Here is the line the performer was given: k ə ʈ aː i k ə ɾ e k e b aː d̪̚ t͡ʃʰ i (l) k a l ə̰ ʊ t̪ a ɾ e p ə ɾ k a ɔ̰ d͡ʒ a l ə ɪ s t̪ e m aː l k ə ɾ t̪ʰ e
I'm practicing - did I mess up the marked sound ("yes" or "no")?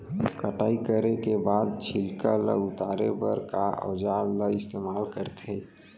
no